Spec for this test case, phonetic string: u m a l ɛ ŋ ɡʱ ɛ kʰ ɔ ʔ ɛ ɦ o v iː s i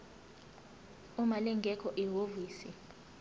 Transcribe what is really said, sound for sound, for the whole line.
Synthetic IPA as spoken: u m a l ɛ ŋ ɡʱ ɛ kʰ ɔ ʔ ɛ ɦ o v iː s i